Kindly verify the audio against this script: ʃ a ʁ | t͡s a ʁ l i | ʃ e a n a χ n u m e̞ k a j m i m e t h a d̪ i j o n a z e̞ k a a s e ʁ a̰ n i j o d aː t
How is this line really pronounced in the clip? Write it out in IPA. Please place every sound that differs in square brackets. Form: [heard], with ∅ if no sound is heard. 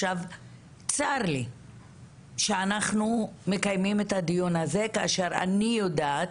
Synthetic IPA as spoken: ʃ a [v] | t͡s a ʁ l i | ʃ e a n a χ n u m e̞ k a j m i m e t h a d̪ i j o n a z e̞ k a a [ʃ] e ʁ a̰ n i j o d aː t